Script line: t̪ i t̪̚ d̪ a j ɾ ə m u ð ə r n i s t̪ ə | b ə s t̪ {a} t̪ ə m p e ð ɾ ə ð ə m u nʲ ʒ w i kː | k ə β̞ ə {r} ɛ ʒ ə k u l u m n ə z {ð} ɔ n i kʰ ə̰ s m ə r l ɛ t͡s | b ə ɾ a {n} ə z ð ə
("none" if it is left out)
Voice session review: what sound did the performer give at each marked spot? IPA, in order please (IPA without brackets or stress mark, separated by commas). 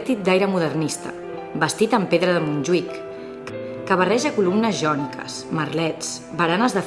i, r, ʒ, n